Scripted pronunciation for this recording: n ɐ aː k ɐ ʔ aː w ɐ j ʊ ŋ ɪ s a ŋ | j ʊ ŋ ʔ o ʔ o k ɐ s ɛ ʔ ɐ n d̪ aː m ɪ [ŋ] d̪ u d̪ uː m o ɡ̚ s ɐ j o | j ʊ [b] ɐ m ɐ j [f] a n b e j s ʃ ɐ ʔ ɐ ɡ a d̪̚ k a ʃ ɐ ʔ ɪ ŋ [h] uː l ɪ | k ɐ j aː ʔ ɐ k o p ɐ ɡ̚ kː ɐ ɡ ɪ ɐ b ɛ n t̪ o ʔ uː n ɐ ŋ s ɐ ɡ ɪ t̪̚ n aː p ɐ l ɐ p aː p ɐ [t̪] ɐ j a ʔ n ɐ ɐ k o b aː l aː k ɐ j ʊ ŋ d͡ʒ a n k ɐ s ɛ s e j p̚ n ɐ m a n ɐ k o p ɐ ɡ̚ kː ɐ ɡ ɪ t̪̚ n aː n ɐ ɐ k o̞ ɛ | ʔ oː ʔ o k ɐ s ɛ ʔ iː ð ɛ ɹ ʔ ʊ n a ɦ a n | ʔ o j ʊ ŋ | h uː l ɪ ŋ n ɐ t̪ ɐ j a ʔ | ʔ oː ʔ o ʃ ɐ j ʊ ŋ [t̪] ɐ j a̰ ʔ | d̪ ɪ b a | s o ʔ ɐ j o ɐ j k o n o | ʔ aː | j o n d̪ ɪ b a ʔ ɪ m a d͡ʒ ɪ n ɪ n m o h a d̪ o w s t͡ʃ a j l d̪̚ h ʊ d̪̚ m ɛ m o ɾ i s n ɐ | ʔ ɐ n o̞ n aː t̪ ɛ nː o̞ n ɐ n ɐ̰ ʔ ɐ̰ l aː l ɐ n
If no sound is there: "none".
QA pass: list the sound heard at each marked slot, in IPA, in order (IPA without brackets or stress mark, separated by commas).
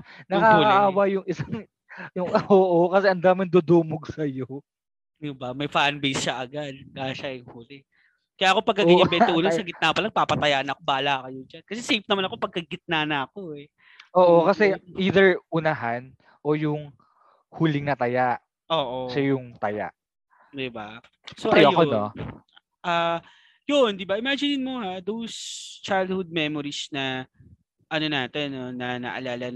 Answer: n, b, f, h, t̪, t̪